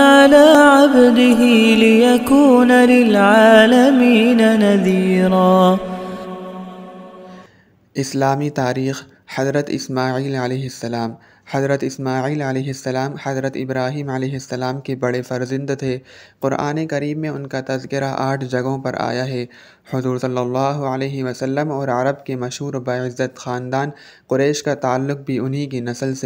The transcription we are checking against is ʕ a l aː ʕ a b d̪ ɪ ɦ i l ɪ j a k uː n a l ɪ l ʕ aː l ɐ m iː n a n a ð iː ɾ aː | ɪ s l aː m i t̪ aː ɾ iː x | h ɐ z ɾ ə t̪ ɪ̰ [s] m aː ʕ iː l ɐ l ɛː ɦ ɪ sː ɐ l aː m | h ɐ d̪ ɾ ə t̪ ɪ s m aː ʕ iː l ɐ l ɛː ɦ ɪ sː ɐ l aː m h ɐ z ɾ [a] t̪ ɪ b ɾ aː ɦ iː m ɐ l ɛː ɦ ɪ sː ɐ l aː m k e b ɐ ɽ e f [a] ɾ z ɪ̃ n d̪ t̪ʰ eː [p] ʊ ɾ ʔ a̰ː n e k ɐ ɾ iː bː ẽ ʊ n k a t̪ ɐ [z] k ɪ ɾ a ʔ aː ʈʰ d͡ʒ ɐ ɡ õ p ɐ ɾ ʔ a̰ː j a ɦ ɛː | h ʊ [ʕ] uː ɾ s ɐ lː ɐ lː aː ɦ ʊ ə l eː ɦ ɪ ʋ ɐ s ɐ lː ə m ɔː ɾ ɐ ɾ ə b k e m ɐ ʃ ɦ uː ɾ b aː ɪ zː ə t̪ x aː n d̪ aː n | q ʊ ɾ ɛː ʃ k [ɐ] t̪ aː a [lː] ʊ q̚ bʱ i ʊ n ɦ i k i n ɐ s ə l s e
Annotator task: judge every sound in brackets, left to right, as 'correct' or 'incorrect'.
correct, incorrect: ə, incorrect: ɐ, incorrect: q, correct, incorrect: z, incorrect: a, correct

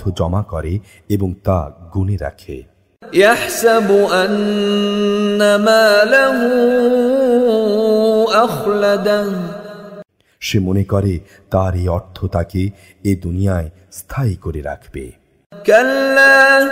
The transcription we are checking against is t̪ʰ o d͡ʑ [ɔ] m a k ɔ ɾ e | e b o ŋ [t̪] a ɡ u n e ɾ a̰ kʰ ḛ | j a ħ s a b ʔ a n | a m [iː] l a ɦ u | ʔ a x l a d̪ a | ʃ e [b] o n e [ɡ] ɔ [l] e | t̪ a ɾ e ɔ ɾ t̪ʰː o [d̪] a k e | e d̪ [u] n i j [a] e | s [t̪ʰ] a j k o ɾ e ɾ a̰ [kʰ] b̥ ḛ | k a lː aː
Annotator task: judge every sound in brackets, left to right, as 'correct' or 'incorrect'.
correct, correct, incorrect: aː, incorrect: m, incorrect: k, incorrect: ɾ, incorrect: t̪, correct, correct, correct, correct

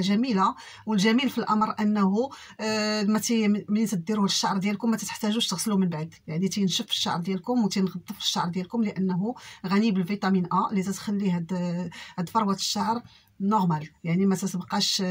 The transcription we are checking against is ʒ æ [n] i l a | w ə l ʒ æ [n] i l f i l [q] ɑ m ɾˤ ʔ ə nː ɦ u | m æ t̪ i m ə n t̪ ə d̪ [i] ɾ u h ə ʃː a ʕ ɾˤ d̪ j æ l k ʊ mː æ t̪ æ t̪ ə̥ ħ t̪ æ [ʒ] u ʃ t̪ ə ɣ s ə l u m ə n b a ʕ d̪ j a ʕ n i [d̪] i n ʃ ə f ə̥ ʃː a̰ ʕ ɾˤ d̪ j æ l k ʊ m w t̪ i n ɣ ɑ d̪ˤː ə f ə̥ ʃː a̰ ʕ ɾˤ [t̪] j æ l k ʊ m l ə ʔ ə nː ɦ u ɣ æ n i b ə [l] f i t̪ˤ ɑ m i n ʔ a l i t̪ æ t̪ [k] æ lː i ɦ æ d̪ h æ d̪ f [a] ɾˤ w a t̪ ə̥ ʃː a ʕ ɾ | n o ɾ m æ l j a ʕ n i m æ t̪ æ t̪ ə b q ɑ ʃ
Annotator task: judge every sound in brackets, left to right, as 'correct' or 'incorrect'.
incorrect: m, incorrect: m, incorrect: ʔ, correct, correct, incorrect: t̪, incorrect: d̪, correct, incorrect: x, incorrect: ɑ

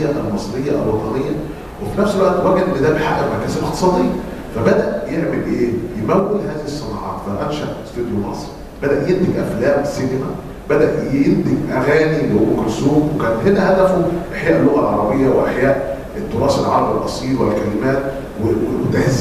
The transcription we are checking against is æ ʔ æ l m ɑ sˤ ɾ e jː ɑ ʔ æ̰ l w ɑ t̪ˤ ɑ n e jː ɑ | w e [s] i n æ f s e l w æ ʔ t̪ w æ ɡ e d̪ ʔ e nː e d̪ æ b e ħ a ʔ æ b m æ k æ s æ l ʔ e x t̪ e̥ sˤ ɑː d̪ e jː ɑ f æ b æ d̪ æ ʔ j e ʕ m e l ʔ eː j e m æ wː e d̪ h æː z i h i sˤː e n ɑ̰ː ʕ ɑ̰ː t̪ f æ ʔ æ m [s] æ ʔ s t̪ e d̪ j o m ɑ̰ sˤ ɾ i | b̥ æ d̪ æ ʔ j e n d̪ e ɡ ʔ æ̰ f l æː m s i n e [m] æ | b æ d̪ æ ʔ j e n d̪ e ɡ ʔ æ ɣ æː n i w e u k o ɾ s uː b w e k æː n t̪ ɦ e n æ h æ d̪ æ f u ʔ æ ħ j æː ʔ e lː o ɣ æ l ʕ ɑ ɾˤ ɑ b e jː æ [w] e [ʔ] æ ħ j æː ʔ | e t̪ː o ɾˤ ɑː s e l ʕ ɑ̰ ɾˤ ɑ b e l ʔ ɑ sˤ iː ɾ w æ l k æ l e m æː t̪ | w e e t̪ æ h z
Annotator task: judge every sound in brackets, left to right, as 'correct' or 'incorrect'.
incorrect: f, incorrect: ʃ, correct, correct, correct

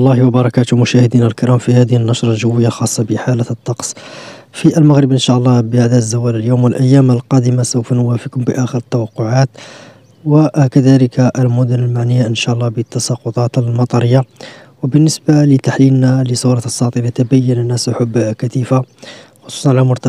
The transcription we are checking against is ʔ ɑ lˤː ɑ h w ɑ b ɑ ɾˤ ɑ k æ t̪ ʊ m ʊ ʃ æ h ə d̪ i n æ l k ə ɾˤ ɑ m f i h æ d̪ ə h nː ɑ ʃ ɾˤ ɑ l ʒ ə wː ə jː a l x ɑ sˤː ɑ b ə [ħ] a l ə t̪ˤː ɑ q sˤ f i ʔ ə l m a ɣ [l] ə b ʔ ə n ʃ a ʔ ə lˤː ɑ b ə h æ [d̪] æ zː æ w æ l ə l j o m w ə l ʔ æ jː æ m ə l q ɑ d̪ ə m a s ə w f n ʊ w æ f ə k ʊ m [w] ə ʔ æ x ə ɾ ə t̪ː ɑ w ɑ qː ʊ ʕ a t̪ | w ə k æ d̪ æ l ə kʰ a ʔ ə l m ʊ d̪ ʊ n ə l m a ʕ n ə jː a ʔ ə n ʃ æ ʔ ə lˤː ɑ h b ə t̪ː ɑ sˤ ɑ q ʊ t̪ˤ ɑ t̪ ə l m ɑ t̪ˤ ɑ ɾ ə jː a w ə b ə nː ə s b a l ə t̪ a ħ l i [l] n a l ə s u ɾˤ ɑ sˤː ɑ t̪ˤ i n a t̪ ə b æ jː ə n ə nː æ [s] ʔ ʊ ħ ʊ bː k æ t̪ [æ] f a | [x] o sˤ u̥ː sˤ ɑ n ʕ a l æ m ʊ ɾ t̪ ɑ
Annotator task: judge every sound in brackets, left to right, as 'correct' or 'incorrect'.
correct, incorrect: ɾ, correct, incorrect: b, correct, correct, incorrect: i, correct

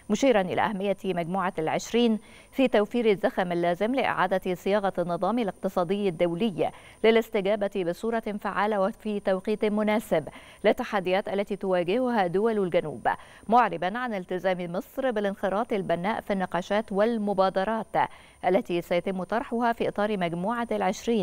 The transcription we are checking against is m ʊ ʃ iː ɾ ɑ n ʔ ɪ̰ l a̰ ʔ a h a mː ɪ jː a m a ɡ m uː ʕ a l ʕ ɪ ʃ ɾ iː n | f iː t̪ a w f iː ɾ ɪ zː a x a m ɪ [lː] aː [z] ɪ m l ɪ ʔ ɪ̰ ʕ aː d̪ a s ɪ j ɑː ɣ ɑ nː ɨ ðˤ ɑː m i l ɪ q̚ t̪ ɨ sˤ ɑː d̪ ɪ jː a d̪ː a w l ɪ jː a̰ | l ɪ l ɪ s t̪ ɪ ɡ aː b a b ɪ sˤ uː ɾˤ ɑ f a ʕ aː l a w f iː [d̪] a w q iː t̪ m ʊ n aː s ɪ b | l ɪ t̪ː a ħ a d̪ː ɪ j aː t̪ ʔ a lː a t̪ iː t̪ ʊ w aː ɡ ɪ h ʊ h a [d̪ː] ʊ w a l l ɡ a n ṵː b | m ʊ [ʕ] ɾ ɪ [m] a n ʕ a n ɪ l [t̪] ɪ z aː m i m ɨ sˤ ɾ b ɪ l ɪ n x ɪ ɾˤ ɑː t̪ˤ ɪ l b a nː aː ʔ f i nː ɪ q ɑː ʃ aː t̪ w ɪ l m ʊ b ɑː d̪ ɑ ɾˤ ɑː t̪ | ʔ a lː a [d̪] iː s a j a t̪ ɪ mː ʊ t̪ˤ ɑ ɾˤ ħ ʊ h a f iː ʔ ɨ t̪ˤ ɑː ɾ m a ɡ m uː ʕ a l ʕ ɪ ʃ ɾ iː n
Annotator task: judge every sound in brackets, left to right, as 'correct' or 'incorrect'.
correct, correct, incorrect: t̪, incorrect: d̪, correct, incorrect: b, correct, incorrect: t̪

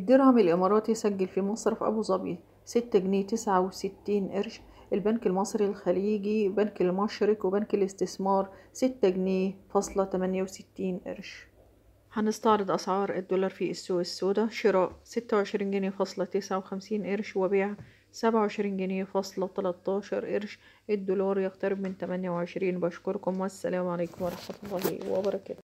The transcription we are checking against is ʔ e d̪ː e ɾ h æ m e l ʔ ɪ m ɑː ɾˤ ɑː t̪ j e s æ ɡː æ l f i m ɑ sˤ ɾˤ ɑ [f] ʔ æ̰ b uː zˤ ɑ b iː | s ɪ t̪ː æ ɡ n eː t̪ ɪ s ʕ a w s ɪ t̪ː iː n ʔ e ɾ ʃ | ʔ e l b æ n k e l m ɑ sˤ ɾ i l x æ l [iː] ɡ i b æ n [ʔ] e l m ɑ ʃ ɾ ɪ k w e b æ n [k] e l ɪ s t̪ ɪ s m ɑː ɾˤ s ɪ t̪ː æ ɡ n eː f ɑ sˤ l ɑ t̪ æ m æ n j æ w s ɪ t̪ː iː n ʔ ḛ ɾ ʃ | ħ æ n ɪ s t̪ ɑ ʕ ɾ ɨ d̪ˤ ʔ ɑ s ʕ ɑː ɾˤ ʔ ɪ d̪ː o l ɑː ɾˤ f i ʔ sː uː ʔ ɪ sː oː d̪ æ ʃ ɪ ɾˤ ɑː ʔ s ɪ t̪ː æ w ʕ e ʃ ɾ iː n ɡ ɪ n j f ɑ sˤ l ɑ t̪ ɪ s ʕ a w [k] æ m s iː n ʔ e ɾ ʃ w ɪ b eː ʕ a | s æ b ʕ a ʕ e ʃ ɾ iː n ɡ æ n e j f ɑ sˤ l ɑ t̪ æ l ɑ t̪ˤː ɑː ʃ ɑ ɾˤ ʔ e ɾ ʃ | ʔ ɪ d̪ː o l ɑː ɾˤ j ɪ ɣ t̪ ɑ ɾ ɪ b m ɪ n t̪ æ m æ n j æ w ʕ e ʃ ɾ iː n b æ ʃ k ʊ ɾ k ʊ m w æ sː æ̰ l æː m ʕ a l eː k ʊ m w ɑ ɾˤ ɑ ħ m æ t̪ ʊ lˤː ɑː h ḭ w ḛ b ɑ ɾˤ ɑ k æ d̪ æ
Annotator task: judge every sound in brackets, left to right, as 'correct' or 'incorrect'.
correct, correct, incorrect: k, correct, incorrect: x

